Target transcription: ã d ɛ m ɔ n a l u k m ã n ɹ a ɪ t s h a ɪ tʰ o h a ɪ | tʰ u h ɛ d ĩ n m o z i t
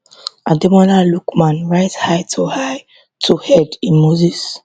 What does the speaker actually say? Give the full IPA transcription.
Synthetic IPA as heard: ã d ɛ m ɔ n a l u k m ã n ɹ a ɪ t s h a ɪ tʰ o h a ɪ | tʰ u h ɛ d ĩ n m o z i s